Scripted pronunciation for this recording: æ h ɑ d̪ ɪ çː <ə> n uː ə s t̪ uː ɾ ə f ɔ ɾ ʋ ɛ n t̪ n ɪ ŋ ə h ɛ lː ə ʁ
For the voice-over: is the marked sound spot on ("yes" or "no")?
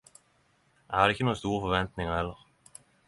yes